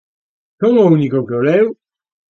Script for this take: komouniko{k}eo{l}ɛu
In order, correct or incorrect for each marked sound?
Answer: correct, correct

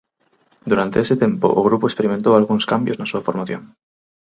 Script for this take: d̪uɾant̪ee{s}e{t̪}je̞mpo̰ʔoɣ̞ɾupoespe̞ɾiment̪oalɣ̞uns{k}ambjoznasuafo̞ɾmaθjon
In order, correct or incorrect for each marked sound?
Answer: correct, correct, correct

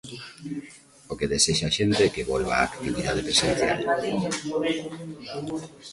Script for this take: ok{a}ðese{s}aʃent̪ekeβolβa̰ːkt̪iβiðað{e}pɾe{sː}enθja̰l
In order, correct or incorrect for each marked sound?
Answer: incorrect, incorrect, correct, incorrect

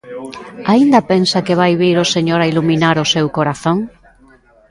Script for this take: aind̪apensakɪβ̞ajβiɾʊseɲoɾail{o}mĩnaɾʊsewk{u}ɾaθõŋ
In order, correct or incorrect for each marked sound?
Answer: incorrect, incorrect

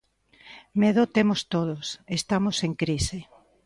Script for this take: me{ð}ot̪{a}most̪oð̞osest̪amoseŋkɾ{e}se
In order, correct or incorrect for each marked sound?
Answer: correct, incorrect, incorrect

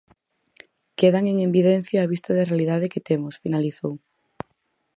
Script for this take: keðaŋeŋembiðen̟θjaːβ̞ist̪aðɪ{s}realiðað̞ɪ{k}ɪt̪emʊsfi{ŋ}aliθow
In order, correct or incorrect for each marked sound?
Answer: incorrect, correct, incorrect

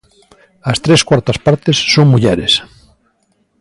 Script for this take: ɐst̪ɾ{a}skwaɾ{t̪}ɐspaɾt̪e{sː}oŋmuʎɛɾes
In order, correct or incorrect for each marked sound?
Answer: incorrect, correct, correct

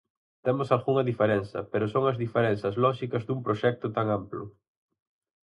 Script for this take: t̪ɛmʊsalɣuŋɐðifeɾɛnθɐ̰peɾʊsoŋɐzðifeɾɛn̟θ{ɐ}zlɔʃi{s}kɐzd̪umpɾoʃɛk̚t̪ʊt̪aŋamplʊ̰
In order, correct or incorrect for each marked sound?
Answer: correct, incorrect

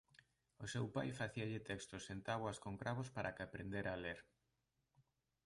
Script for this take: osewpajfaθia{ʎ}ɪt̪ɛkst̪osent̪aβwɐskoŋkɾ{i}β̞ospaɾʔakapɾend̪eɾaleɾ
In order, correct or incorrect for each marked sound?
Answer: correct, incorrect

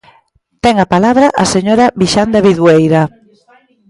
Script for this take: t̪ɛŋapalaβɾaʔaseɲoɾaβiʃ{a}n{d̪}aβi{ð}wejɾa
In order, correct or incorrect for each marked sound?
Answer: correct, correct, correct

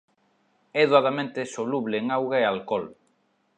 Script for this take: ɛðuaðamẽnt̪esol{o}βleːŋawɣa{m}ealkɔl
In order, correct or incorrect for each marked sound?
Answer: incorrect, incorrect

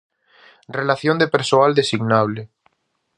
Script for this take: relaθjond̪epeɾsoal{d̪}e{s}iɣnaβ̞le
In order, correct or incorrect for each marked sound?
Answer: correct, correct

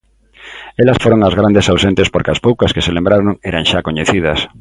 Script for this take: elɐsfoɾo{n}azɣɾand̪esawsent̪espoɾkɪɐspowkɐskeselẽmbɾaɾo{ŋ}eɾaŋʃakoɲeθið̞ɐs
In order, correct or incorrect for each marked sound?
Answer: incorrect, correct

